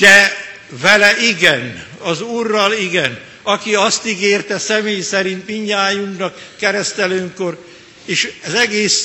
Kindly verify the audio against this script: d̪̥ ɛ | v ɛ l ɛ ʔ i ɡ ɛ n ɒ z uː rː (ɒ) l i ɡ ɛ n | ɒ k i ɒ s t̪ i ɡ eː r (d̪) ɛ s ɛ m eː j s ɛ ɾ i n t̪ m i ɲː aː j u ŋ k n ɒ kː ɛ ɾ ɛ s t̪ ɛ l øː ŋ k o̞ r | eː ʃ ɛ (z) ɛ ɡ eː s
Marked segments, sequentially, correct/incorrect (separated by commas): correct, incorrect, correct